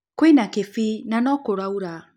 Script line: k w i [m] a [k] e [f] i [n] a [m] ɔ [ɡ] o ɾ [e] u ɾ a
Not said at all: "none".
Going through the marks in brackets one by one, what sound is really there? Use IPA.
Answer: n, k, f, n, n, k, a

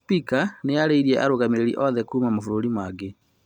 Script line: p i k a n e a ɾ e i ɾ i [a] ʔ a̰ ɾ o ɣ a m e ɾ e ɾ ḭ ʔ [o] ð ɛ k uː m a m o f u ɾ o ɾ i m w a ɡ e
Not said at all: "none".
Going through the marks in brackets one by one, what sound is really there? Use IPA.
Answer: ɛ, ɔ

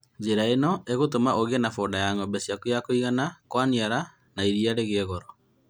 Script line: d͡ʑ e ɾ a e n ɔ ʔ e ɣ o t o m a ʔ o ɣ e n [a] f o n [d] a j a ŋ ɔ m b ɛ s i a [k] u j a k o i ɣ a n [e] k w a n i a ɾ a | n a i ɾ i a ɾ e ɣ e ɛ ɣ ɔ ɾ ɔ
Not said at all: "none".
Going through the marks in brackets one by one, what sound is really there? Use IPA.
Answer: a, d, k, a

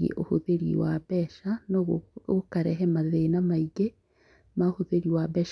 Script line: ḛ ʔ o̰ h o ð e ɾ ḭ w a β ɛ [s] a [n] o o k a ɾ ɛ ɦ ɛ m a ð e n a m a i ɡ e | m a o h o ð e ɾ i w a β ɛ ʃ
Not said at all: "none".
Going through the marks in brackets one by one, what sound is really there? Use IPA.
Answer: ʃ, n

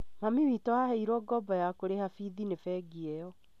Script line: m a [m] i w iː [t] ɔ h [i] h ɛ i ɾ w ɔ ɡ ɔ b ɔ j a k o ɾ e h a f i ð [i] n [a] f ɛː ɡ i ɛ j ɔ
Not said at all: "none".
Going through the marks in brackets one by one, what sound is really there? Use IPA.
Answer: m, t, a, i, e

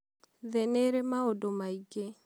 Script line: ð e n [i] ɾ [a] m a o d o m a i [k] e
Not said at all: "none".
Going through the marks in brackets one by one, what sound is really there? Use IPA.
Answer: e, e, ɡ

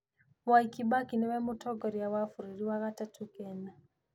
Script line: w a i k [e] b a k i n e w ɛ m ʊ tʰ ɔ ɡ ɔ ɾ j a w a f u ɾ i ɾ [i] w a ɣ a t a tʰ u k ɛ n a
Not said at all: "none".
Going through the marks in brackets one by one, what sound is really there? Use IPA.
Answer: i, i

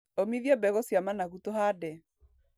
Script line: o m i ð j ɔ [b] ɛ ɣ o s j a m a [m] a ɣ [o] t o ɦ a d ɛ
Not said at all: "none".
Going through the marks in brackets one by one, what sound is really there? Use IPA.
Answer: b, n, u

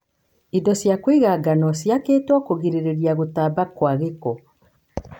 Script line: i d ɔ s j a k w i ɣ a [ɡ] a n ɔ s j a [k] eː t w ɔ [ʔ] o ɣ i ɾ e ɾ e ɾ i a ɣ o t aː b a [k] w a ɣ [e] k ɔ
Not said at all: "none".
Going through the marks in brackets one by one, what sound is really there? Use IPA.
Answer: ɡ, k, k, k, e

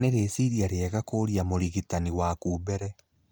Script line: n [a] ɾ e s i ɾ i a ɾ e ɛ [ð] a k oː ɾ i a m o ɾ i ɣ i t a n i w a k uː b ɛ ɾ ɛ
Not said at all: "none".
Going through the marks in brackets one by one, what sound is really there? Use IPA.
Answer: e, ɣ

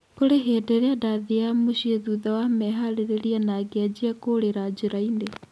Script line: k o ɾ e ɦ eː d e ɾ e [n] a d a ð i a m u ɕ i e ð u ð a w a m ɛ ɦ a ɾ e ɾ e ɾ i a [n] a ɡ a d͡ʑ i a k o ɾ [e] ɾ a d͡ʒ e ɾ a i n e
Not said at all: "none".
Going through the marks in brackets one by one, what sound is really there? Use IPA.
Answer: none, n, e

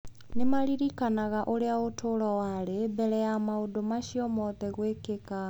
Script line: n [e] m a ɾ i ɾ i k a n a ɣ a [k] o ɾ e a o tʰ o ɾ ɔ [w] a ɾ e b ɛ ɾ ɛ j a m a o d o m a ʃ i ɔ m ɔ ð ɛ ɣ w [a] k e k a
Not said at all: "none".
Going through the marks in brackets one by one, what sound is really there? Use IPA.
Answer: e, ʔ, w, e

